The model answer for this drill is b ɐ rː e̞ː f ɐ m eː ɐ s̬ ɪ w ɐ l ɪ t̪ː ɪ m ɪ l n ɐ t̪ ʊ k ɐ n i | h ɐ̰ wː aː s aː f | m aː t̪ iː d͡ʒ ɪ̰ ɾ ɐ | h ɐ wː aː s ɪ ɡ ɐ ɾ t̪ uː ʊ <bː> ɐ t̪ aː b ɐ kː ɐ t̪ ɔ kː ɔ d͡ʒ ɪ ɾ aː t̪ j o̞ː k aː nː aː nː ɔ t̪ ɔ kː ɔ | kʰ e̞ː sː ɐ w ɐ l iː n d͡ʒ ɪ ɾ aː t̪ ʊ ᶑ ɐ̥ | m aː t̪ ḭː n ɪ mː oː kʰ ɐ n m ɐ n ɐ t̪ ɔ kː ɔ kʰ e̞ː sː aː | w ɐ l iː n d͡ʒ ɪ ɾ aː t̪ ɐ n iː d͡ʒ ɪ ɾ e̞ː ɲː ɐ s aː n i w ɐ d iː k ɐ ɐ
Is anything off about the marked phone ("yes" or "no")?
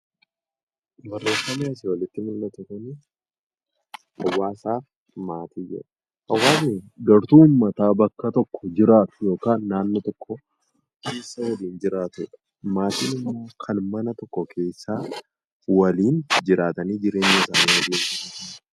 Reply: yes